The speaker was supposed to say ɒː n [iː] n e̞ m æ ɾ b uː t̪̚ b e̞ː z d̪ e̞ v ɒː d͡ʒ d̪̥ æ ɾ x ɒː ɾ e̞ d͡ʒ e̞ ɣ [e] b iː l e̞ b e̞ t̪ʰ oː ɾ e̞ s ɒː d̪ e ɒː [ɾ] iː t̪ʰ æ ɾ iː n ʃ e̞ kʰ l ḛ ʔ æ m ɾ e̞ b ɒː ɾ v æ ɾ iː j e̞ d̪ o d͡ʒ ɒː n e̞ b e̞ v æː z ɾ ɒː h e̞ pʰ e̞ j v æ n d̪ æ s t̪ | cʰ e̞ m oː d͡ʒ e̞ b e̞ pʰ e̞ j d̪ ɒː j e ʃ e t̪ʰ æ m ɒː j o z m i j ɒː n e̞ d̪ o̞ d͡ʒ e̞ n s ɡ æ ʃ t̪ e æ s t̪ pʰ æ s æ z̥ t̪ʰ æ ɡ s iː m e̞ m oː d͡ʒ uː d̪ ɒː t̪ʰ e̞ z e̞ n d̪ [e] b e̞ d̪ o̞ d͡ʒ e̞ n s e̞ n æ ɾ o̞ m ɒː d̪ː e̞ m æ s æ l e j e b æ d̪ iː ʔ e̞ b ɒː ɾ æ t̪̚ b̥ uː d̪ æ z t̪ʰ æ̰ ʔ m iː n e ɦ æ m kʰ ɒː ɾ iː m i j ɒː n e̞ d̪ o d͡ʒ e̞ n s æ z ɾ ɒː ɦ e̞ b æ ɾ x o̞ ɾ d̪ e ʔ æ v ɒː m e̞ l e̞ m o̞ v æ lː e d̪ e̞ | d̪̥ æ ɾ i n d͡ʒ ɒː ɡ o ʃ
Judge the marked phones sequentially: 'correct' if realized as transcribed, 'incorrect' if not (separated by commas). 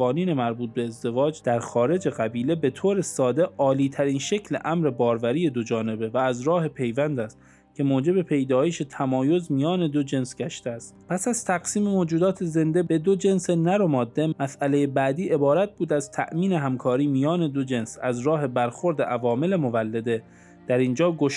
correct, incorrect, incorrect, correct